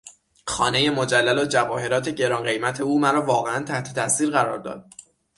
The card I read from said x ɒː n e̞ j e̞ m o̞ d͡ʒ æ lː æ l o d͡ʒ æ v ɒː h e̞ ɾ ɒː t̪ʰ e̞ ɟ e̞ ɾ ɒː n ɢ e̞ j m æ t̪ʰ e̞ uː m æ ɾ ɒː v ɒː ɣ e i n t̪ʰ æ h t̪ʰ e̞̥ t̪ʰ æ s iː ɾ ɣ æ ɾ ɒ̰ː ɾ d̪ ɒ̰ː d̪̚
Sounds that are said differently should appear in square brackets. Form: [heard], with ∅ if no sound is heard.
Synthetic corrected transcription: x ɒː n e̞ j e̞ m o̞ d͡ʒ æ lː æ l o d͡ʒ æ v ɒː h e̞ ɾ ɒː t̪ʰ e̞ ɟ e̞ ɾ ɒː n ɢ e̞ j m æ t̪ʰ e̞ uː m æ ɾ ɒː v ɒː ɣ e [æ] n t̪ʰ æ h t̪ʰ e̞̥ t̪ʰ æ s iː ɾ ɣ æ ɾ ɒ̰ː ɾ d̪ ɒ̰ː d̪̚